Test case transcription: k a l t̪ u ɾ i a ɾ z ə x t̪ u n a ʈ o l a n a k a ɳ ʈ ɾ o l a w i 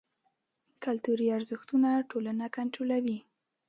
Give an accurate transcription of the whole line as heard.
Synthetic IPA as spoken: k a l t̪ u ɾ i a ɾ z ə x t̪ u n a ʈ o l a n a k a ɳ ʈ ɾ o l a w i